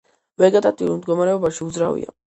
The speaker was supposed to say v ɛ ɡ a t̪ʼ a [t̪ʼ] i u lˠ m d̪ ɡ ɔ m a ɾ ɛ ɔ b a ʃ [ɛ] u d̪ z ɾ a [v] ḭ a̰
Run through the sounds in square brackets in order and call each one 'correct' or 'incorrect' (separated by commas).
correct, incorrect, correct